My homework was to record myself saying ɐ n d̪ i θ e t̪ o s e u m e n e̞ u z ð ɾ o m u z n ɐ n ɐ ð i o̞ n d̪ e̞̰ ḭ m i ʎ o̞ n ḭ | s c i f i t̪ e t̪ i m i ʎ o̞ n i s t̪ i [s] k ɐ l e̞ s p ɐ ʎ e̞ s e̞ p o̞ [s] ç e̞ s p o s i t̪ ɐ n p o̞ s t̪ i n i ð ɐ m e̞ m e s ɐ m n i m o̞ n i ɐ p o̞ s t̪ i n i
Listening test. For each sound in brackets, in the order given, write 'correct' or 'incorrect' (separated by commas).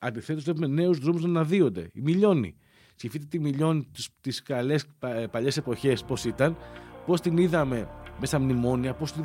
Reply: correct, incorrect